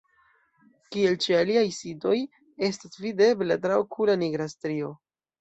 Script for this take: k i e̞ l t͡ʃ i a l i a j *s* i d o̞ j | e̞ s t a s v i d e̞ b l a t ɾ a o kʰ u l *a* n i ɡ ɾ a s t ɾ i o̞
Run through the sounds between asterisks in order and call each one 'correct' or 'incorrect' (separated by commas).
correct, correct